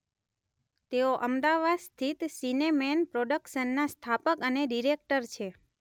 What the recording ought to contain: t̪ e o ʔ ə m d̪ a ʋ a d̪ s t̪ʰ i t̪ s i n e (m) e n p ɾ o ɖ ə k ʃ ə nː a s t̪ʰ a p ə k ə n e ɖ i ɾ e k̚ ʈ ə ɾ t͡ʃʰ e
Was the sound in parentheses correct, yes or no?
yes